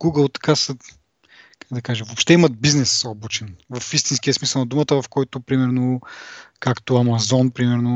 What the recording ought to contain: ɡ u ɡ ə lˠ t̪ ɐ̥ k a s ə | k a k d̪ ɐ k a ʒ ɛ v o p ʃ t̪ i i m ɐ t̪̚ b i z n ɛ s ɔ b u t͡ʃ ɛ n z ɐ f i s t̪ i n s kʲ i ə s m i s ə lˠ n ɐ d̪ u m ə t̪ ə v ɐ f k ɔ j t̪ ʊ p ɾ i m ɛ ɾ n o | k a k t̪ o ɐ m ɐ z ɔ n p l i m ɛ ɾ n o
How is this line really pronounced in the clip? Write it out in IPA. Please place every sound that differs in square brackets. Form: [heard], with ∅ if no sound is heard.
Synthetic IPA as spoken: ɡ u ɡ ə lˠ t̪ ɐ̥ k a s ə | k a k d̪ ɐ k a ʒ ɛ v o p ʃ t̪ [ɛ] i m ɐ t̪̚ b i z n ɛ s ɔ b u t͡ʃ ɛ n [v] ɐ f i s t̪ i n s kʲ i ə s m i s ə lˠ n ɐ d̪ u m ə t̪ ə v ɐ f k ɔ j t̪ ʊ p ɾ i m ɛ ɾ n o | k a k t̪ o ɐ m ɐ z ɔ n p [ɾ] i m ɛ ɾ n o